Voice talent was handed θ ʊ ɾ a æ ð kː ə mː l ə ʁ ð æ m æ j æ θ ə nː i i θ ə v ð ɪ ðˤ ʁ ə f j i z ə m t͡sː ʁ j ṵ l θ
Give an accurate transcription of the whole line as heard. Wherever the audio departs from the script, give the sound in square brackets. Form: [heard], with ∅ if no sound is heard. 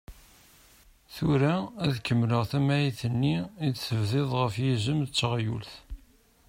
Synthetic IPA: θ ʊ ɾ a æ ð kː ə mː l ə ʁ [θ] æ m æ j [i] θ ə nː i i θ ə v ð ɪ ðˤ ʁ ə f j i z ə m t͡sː ʁ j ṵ l θ